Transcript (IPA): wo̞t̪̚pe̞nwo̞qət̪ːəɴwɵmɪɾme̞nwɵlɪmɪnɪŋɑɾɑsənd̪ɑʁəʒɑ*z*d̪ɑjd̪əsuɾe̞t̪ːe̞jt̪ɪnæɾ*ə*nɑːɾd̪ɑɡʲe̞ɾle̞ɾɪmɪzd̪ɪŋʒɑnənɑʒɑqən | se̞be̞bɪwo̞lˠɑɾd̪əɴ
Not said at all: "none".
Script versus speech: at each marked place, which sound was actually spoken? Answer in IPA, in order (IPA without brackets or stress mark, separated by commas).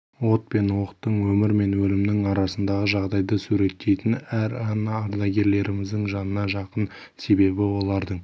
ʁ, ɑ